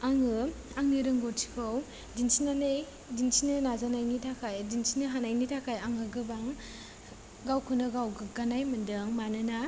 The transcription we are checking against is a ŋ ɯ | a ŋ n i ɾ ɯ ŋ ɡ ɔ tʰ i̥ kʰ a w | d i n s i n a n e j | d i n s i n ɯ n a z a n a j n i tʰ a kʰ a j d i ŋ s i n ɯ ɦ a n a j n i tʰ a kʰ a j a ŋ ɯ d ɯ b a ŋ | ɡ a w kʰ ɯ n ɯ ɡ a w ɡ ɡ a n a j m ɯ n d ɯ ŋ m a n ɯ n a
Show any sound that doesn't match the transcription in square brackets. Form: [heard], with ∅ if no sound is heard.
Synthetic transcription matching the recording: a ŋ ɯ | a ŋ n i ɾ ɯ ŋ ɡ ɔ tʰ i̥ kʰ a w | d i n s i n a n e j | d i n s i n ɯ n a z a n a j n i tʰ a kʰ a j d i [n] s i n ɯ ɦ a n a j n i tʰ a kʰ a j a ŋ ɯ [ɡ] ɯ b a ŋ | ɡ a w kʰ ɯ n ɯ ɡ a w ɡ ɡ a n a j m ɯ n d ɯ ŋ m a n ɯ n a